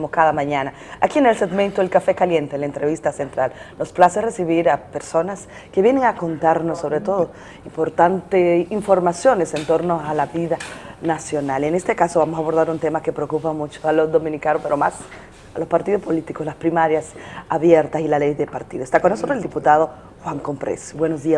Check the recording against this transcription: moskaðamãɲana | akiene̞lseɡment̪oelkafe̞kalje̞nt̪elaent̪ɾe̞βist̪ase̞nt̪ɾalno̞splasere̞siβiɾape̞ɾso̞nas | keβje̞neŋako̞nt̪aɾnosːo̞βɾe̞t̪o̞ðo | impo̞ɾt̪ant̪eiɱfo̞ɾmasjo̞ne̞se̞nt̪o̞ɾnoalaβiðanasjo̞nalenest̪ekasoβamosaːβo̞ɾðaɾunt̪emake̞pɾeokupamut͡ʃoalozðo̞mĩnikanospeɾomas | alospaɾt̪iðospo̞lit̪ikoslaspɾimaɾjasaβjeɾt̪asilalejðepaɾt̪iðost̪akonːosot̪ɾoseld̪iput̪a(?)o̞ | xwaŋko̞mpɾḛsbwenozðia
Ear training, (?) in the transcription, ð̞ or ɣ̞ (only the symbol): ð̞